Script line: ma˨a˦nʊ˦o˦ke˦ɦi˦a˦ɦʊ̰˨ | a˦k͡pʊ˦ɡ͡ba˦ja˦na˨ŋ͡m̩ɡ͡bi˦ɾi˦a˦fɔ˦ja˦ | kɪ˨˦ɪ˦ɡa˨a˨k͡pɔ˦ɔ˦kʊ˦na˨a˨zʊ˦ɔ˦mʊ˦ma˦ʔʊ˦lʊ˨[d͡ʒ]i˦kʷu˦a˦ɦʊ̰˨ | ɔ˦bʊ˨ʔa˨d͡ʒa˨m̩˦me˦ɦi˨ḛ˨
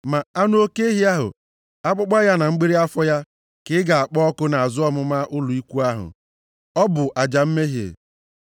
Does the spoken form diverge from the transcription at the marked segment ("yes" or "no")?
yes